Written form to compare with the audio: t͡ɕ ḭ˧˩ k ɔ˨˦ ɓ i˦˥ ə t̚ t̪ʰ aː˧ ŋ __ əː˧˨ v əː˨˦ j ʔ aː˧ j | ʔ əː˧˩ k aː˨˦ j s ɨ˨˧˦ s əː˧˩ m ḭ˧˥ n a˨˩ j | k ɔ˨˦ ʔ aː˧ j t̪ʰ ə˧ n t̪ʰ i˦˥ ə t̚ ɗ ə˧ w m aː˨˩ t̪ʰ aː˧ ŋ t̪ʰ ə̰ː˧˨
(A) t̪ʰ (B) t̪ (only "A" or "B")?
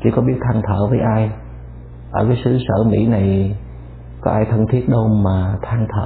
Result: A